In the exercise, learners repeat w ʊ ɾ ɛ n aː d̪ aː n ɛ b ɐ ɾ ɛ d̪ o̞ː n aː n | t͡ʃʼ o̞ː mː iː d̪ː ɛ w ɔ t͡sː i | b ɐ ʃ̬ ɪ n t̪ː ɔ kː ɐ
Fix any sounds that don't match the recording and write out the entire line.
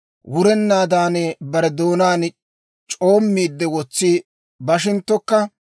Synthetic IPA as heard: w ʊ ɾ ɛ nː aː d̪ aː n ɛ b ɐ ɾ ɛ d̪ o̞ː n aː n | t͡ʃʼ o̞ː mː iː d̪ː ɛ w ɔ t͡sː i | b ɐ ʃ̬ ɪ n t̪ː ɔ kː ɐ